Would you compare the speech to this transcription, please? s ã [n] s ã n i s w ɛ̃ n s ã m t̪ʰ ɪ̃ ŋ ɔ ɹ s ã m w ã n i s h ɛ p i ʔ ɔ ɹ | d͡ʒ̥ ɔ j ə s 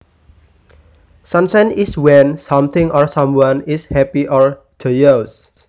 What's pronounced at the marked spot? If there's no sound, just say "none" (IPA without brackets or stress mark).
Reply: n